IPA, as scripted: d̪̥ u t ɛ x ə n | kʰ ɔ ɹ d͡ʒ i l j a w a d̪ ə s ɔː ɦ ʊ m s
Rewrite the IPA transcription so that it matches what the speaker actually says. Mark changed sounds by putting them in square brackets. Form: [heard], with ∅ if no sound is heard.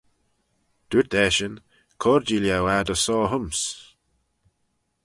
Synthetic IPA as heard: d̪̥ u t ɛ [ʃ] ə n | kʰ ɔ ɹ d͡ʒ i l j a w a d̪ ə s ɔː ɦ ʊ m s